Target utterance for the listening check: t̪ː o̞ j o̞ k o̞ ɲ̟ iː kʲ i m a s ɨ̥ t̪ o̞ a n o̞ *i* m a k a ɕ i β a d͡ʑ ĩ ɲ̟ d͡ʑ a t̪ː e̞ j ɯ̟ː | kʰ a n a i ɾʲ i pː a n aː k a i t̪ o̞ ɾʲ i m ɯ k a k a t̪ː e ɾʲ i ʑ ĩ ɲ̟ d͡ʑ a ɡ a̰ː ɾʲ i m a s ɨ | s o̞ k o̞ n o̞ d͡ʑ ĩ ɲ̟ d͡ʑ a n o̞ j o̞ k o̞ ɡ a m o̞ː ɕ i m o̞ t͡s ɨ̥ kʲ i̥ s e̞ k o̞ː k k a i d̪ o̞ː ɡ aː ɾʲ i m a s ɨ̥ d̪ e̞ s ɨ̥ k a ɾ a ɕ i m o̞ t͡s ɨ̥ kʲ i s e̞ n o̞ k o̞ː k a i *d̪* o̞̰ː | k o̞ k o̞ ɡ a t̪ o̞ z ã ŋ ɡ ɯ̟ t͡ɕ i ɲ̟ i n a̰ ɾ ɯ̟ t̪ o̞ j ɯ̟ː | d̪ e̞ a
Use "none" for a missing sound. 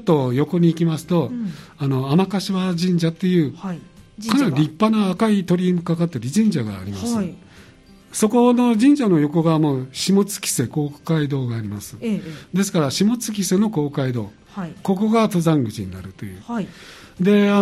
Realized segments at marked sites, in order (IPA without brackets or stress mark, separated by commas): a, d̪